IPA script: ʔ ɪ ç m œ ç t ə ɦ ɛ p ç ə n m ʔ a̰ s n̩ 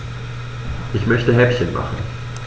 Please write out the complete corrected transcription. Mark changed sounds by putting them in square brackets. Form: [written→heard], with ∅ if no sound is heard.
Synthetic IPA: ʔ ɪ ç m œ ç t ə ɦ ɛ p ç ə n m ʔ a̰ [s→χ] n̩